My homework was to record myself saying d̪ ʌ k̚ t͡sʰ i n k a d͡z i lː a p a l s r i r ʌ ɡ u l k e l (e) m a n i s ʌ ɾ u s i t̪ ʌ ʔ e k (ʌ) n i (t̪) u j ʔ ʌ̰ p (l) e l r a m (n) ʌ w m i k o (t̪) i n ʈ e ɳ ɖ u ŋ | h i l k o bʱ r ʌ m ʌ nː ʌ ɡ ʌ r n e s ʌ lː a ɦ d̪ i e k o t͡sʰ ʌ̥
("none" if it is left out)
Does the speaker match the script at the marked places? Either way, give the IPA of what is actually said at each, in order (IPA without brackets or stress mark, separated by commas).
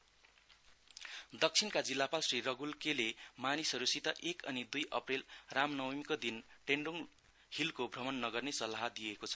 e, ʌ, d̪, r, n, d̪